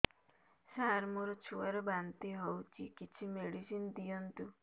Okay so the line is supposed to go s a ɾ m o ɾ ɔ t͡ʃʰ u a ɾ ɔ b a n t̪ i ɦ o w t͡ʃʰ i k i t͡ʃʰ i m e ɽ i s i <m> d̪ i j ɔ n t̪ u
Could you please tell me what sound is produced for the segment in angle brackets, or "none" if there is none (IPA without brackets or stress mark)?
n